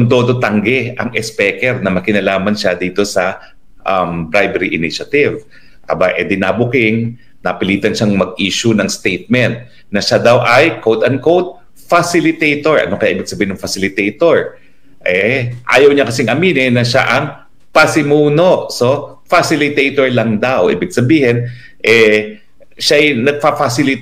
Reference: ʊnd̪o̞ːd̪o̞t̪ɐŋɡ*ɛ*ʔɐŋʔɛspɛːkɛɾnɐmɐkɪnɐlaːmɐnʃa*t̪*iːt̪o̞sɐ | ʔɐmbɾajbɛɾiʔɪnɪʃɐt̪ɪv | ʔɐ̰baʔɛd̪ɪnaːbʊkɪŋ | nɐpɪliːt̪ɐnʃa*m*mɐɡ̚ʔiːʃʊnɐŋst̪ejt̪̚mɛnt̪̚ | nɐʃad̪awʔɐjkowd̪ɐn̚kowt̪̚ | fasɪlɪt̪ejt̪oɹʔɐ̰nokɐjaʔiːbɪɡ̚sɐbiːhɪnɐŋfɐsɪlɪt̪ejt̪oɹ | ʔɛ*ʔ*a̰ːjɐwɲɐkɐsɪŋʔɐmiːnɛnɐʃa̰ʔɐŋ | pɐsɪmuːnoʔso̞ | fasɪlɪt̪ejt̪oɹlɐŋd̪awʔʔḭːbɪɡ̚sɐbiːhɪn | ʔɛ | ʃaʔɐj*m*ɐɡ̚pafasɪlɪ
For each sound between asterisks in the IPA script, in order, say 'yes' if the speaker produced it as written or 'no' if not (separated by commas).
yes, no, no, yes, no